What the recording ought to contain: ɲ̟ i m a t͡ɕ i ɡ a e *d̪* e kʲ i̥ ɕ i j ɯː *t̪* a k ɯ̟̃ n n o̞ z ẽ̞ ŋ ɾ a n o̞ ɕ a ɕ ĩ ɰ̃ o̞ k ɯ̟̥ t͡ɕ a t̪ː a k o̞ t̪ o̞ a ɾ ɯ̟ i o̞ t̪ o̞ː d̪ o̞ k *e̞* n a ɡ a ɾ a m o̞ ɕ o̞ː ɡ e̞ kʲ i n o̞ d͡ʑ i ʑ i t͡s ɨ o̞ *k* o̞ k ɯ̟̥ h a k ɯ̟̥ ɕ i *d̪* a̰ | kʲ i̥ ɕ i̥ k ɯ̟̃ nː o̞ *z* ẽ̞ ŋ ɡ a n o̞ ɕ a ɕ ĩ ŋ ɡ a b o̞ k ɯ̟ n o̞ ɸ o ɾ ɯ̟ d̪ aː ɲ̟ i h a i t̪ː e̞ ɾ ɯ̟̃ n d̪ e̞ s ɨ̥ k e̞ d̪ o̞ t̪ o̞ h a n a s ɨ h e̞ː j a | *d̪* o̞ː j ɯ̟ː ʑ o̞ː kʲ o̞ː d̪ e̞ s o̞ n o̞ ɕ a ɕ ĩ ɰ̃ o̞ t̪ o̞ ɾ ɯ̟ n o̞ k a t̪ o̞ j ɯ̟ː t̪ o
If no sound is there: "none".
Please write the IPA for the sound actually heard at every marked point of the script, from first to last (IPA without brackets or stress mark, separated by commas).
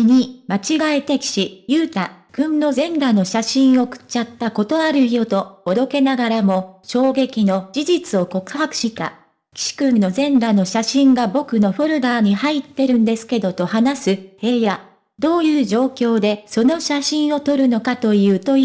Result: t̪, t̪, e̞, k, t̪, z, d̪